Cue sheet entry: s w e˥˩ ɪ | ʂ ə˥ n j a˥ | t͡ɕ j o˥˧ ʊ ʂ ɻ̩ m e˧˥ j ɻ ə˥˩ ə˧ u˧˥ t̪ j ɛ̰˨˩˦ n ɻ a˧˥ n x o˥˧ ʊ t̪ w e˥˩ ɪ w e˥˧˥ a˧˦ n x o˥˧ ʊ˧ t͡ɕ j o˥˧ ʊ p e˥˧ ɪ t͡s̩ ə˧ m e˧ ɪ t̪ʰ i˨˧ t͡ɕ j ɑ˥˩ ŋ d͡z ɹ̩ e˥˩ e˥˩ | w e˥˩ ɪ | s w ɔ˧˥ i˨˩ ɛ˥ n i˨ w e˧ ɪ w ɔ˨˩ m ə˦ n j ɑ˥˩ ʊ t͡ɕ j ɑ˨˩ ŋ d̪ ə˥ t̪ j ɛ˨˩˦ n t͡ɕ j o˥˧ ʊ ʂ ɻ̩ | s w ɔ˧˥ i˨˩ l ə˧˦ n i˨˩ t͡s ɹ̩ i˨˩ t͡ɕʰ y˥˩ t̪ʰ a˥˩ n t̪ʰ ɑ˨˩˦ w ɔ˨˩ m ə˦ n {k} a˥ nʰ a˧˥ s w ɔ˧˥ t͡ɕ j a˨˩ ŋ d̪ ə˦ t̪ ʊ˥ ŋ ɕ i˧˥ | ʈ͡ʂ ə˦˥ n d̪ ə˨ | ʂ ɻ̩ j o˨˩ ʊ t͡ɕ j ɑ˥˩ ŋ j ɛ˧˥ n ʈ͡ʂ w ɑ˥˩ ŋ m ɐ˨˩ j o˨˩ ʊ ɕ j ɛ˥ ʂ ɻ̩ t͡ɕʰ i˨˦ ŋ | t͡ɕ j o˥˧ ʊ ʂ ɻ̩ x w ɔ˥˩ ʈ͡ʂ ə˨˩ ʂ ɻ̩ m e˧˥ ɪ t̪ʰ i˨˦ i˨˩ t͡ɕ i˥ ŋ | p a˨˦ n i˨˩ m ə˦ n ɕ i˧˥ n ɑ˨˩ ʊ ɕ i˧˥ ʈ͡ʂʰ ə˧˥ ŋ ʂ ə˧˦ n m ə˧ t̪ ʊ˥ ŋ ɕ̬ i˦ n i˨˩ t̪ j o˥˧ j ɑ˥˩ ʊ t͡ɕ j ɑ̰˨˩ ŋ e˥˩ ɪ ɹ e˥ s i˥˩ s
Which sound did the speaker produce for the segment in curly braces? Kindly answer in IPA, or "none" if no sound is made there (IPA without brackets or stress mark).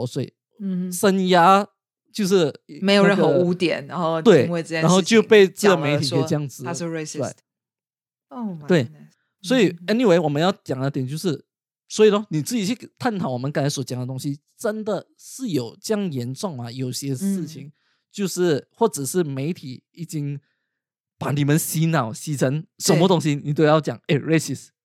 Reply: k